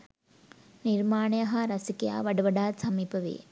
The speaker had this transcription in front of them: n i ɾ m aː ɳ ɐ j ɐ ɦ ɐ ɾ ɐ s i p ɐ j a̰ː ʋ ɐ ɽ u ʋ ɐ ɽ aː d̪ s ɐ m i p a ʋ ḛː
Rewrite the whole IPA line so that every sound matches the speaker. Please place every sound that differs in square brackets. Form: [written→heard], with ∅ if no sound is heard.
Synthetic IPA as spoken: n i ɾ m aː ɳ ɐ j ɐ ɦ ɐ ɾ ɐ s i [p→k] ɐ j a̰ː ʋ ɐ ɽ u ʋ ɐ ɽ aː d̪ s ɐ m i p [a→ɐ] ʋ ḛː